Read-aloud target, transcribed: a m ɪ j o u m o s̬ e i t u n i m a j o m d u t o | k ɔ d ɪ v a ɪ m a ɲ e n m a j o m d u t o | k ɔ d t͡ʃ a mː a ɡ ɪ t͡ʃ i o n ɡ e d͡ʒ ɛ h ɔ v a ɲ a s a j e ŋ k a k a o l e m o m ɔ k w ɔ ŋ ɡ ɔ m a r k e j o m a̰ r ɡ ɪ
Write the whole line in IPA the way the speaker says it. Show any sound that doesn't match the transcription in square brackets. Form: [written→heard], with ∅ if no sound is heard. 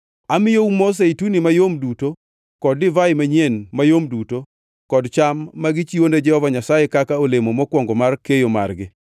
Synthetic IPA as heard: a m ɪ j o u m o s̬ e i t u n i m a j o m d u t o | k ɔ d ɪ v a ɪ m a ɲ e n m a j o m d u t o | k ɔ d t͡ʃ a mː a ɡ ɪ t͡ʃ i o n [ɡ→d] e d͡ʒ ɛ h ɔ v a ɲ a s a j e [ŋ→∅] k a k a o l e m o m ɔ k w ɔ ŋ ɡ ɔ m a r k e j o m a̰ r ɡ ɪ